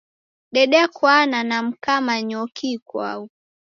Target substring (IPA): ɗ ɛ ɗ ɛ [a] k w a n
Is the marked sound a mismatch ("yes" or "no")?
no